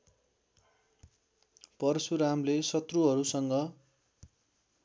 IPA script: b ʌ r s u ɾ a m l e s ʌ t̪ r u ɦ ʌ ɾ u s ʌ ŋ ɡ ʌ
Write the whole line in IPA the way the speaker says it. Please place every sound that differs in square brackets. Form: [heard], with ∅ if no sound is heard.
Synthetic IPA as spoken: [p] ʌ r s u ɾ a m l e s ʌ t̪ r u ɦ ʌ ɾ u s ʌ ŋ ɡ ʌ